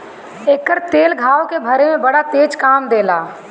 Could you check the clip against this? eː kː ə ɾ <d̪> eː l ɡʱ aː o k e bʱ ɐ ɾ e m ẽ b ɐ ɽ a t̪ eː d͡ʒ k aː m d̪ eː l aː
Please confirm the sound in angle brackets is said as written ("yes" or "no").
no